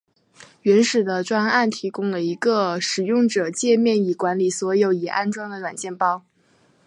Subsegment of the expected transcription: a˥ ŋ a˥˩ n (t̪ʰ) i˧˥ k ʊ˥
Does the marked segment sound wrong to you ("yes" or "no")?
no